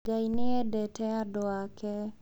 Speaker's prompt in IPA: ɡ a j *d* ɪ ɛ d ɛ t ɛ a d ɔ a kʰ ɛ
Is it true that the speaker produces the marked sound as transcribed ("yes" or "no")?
no